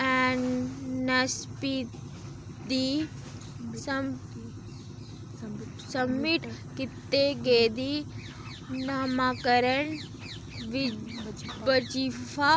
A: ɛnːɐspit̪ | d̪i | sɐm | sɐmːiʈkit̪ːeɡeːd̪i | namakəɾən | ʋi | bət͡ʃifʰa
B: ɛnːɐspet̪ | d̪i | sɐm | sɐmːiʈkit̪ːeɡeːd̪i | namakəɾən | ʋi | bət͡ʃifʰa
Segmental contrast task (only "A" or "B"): A